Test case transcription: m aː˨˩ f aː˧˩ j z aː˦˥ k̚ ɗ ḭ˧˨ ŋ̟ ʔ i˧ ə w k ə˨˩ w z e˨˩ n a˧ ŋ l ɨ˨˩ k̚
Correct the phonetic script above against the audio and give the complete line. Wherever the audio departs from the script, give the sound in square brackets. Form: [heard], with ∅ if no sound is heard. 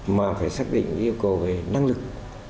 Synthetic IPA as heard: m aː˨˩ f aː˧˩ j [s] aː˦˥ k̚ ɗ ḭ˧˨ ŋ̟ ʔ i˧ ə w k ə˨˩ w [v] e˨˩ n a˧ ŋ l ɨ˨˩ k̚

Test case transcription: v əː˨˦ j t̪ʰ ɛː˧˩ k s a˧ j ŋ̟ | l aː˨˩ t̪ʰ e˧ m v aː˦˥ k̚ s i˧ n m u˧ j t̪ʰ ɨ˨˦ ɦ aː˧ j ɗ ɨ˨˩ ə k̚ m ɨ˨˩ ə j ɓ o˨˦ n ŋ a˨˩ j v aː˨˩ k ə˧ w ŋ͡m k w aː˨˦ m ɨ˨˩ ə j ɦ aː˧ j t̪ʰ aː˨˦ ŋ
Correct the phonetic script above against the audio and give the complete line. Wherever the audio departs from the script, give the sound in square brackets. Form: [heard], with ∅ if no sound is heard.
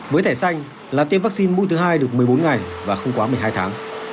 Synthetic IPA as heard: v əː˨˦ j t̪ʰ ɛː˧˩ [∅] s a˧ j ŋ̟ | l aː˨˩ [t̪] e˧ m v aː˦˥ k̚ s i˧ n m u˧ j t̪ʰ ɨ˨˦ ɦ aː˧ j ɗ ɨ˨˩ ə k̚ m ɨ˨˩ ə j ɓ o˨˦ n ŋ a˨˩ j v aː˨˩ [x] ə˧ w ŋ͡m k w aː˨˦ m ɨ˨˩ ə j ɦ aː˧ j t̪ʰ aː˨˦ ŋ

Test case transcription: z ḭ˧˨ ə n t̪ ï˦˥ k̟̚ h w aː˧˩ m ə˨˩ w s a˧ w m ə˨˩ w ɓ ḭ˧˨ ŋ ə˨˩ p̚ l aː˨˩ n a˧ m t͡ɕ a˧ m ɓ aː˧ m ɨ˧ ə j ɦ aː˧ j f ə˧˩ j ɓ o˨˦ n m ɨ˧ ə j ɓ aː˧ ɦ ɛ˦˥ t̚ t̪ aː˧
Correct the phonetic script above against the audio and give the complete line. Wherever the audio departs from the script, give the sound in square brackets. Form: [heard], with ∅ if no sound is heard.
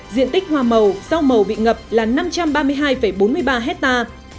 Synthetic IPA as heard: z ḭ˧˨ ə n t̪ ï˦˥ k̟̚ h w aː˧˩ m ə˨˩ w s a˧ w m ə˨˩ w ɓ ḭ˧˨ ŋ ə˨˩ p̚ l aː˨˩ n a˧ m t͡ɕ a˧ m ɓ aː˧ m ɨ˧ ə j ɦ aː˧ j f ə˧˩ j ɓ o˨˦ n m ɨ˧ ə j ɓ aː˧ ɦ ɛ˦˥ t̚ t̪ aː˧

